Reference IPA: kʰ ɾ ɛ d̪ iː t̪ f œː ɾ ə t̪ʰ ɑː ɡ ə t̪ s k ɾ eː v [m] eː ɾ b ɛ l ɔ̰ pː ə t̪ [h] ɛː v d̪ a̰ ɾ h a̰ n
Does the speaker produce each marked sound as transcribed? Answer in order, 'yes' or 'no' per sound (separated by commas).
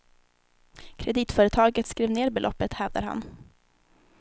no, yes